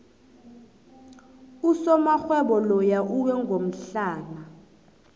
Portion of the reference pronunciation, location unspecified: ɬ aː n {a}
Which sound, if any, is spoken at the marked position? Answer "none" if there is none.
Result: a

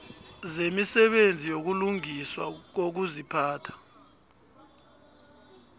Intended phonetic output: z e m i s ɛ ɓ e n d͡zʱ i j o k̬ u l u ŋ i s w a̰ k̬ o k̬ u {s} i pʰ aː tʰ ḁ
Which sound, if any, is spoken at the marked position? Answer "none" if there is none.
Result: z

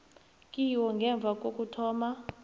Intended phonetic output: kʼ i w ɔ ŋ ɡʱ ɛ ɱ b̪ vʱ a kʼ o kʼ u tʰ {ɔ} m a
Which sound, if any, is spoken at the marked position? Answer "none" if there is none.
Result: ɔː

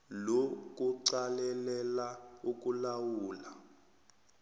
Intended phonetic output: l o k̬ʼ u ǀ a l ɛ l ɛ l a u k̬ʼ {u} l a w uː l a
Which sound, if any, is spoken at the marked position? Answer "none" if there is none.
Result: u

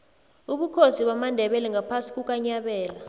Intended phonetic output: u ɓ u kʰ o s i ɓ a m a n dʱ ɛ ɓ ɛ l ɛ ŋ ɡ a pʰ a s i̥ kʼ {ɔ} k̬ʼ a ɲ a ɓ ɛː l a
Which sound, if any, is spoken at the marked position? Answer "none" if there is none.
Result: u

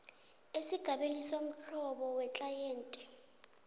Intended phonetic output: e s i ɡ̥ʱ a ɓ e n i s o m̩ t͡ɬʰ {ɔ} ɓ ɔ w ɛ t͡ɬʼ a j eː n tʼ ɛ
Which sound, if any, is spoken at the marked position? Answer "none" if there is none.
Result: ɔ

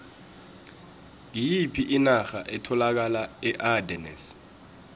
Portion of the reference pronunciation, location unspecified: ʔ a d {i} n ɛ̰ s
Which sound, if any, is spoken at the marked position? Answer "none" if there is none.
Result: ɛ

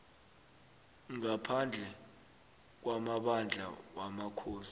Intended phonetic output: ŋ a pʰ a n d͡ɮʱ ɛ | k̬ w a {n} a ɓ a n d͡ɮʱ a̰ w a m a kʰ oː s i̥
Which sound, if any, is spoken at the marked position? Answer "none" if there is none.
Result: m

